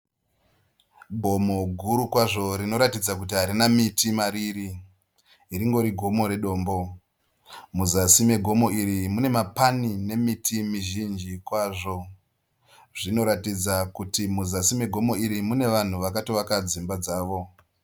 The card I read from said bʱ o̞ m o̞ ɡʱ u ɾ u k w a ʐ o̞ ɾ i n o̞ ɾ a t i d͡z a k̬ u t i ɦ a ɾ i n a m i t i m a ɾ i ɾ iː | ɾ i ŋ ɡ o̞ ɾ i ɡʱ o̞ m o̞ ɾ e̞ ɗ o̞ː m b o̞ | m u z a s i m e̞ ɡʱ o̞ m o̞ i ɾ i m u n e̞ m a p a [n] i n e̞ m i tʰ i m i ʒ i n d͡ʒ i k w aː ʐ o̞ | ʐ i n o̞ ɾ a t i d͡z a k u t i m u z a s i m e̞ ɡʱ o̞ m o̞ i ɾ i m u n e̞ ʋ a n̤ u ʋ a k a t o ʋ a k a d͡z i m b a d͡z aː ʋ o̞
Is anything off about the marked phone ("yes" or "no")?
no